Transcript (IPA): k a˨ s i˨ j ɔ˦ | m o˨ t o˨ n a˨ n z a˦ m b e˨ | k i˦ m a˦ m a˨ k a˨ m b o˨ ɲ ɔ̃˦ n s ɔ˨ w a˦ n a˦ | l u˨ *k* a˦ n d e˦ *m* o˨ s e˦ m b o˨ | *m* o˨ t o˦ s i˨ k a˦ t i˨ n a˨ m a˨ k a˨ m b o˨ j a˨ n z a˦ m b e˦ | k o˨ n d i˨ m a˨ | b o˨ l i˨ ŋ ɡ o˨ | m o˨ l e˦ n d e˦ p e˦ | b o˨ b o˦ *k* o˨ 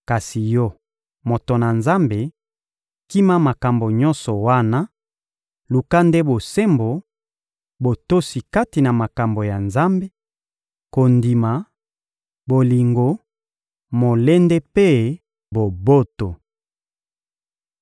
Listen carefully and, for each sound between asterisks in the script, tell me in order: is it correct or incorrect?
correct, incorrect: b, incorrect: b, incorrect: t

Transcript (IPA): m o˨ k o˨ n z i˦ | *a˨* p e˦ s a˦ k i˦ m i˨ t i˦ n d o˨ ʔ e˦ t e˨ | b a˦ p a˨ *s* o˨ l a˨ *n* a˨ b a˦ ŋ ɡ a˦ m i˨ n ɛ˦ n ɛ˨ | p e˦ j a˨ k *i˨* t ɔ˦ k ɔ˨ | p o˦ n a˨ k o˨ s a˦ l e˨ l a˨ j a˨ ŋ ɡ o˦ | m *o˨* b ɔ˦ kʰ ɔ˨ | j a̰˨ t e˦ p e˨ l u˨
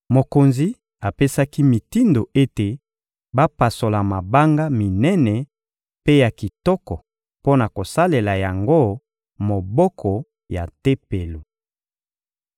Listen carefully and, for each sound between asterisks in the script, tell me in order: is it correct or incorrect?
correct, correct, incorrect: m, correct, correct

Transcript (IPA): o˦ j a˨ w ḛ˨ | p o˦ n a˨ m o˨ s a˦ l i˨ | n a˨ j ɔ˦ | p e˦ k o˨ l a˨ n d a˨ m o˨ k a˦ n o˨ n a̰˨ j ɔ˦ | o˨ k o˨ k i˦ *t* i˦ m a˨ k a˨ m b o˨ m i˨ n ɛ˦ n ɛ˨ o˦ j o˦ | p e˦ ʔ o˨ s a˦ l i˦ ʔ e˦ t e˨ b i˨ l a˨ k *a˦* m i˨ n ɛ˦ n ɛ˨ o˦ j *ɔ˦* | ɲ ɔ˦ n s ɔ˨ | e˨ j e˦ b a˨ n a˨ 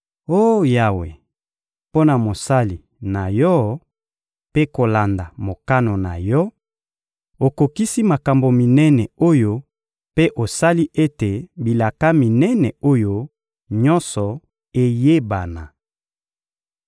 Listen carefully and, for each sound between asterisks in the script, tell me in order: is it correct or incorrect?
incorrect: s, correct, incorrect: o˦

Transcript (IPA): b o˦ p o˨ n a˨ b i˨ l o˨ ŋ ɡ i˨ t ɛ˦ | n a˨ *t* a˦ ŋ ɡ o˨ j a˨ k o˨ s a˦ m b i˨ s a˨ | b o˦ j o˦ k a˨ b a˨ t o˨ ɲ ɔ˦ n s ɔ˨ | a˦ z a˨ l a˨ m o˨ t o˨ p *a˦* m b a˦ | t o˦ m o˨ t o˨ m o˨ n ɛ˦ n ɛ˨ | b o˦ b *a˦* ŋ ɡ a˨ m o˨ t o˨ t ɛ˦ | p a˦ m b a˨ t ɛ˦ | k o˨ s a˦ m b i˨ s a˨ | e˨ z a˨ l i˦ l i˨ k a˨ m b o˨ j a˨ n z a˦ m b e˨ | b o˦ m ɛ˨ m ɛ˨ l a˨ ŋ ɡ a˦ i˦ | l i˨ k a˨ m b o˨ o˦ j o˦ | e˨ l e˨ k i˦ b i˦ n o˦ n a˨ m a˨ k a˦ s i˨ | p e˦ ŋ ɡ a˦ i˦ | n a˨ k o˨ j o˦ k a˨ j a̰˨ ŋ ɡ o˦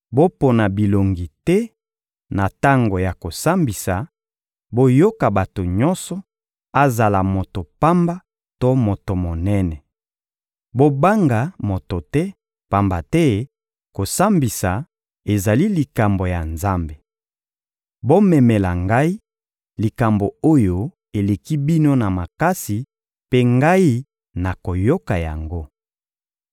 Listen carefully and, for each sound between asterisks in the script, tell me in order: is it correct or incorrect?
correct, correct, correct

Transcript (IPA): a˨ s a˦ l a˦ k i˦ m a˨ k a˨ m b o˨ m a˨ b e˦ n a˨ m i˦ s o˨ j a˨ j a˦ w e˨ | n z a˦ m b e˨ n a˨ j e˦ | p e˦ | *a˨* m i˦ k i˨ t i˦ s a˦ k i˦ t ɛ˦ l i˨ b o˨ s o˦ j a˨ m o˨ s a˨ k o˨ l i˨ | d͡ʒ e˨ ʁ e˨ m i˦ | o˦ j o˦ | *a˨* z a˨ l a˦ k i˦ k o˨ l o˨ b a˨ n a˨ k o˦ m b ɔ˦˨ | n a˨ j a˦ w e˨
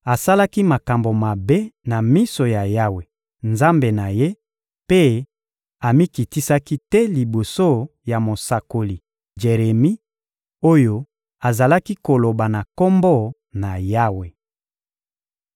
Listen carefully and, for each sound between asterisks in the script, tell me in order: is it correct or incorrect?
correct, correct

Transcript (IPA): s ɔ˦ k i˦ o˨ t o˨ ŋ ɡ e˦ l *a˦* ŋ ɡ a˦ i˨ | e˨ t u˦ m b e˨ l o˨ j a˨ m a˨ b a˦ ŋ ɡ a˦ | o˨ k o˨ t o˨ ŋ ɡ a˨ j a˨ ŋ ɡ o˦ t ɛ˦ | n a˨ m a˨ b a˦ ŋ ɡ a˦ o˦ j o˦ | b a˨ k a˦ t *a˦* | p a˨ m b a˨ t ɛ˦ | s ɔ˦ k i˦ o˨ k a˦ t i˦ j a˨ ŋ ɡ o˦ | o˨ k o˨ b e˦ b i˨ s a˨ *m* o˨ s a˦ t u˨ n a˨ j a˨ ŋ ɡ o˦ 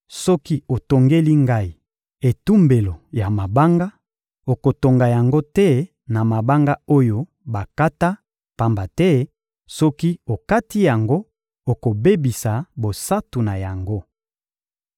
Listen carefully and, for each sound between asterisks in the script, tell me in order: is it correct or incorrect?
incorrect: i˦, correct, incorrect: b

